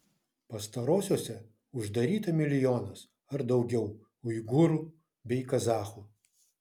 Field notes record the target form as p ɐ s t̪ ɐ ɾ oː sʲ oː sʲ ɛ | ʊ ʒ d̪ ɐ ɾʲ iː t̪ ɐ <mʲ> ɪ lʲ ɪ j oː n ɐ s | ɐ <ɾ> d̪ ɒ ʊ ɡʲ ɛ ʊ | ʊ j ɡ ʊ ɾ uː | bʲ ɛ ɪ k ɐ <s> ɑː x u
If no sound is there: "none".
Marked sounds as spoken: mʲ, ɾ, z

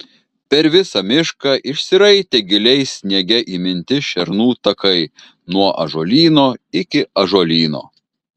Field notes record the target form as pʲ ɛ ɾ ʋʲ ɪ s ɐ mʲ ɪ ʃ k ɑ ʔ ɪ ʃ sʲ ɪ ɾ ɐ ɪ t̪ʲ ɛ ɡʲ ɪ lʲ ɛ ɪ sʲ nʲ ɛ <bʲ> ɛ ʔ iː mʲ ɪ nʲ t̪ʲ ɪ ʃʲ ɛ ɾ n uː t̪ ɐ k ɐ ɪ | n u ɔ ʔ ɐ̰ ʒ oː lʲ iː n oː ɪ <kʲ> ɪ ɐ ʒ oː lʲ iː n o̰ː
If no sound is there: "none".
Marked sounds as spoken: ɡʲ, kʲ

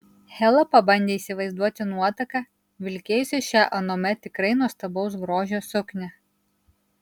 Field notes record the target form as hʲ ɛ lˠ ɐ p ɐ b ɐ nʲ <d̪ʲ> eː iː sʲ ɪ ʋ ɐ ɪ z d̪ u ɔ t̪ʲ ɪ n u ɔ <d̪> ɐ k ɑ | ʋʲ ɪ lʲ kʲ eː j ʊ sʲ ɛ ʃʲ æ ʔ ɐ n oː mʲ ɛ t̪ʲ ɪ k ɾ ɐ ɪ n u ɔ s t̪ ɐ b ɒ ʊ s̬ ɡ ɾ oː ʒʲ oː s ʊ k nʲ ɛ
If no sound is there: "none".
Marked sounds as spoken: d̪ʲ, t̪

